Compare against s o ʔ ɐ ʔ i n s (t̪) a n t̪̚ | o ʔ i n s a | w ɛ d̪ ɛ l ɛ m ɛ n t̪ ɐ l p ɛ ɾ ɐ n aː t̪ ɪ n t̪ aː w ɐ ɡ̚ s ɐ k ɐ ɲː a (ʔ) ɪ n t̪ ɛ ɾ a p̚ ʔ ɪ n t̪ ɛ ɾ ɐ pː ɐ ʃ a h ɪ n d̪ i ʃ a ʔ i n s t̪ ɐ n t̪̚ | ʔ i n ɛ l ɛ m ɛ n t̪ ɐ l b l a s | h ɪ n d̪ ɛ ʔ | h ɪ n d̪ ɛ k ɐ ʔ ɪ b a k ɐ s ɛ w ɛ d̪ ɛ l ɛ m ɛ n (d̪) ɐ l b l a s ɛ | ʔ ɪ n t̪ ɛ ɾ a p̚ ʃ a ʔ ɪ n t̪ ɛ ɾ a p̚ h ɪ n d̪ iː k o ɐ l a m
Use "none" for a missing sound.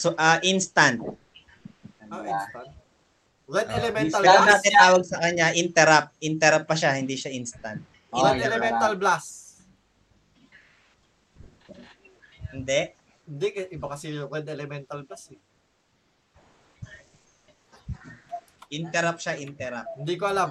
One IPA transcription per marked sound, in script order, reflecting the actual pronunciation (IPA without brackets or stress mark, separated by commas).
t̪, ʔ, t̪